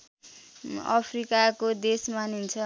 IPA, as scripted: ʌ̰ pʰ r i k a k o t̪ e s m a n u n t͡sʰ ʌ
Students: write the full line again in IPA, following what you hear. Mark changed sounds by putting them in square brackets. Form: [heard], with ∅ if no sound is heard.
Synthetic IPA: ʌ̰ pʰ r i k a k o [d̪] e s m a n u n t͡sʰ ʌ